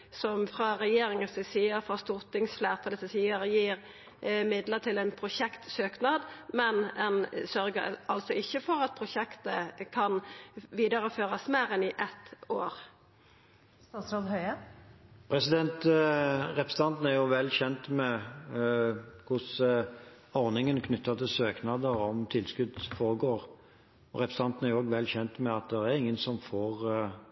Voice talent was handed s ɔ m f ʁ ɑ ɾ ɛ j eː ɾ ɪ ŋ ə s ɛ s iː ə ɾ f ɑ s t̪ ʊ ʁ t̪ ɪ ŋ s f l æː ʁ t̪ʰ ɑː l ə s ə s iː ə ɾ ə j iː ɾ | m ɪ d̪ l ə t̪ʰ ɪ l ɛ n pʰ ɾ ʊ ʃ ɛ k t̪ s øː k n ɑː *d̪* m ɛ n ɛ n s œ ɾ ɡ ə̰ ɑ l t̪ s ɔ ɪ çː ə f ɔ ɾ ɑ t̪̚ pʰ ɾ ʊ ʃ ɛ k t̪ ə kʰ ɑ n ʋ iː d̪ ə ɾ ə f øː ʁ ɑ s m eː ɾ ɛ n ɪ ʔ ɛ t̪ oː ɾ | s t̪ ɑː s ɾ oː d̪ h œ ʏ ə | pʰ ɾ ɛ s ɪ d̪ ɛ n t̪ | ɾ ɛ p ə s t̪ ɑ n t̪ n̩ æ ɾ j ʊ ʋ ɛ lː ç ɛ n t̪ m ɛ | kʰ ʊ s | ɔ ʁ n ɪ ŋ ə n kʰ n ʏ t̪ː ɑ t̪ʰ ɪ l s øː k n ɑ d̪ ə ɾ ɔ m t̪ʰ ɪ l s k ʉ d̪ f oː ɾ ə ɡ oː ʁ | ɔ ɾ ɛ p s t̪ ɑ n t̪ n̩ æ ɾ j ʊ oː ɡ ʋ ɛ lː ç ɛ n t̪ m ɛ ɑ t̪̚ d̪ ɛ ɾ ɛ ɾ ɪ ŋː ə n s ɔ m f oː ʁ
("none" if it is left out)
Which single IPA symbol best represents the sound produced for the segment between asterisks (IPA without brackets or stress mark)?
d̪